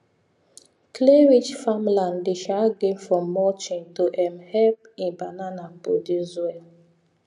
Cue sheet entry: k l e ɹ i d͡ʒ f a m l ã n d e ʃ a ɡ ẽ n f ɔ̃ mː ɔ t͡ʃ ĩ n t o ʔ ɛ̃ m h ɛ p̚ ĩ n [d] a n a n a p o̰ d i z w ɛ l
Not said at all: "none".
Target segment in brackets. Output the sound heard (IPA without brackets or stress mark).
b